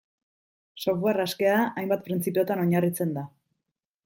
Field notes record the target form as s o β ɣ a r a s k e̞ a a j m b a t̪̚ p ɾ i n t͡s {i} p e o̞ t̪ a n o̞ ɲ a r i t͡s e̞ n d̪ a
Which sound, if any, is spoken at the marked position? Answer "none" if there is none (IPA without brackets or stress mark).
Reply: i